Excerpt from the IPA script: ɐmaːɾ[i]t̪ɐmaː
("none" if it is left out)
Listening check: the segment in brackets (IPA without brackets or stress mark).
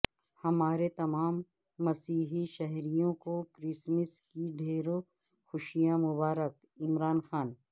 e